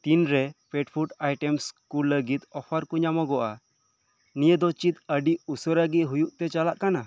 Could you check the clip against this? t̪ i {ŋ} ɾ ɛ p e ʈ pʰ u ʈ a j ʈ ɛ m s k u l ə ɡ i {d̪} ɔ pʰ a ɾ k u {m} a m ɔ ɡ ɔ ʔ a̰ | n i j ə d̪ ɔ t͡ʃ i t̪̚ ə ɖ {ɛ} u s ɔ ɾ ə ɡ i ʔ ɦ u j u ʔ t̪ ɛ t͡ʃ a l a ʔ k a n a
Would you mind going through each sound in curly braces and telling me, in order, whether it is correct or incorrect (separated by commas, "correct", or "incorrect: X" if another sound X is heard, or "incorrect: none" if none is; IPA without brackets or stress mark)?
incorrect: n, incorrect: t̪, incorrect: ɲ, incorrect: i